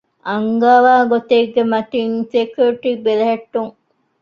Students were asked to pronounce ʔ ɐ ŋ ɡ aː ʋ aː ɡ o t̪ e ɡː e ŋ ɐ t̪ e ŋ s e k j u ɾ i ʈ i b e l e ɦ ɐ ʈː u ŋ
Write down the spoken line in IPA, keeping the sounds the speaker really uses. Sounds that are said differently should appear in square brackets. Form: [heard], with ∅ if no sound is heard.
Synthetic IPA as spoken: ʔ ɐ ŋ ɡ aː ʋ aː ɡ o t̪ e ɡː e [m] ɐ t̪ [i] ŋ s e k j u ɾ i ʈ i b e l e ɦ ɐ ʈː u ŋ